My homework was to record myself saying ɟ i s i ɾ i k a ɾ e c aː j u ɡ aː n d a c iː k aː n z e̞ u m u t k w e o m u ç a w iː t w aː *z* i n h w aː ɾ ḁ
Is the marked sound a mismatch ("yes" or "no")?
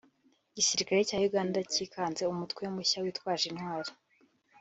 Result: yes